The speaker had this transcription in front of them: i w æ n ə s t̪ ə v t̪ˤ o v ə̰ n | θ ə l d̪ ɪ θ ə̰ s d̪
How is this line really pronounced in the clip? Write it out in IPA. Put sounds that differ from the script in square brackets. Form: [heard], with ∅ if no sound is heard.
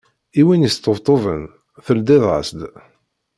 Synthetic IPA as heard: i w [i] n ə s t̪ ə v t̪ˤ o v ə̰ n | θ ə l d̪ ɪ [ð] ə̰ s d̪